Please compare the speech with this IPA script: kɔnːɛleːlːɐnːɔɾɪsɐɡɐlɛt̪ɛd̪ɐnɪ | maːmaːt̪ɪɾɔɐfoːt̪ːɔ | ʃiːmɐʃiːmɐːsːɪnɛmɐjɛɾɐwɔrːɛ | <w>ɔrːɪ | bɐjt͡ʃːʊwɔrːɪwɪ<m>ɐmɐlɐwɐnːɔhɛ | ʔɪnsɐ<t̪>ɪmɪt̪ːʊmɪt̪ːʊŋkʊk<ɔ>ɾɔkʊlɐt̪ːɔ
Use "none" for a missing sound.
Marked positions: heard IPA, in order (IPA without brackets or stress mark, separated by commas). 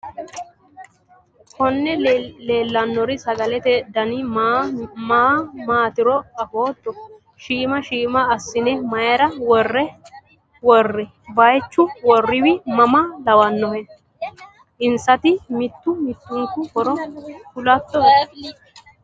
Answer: w, m, t̪, ɔ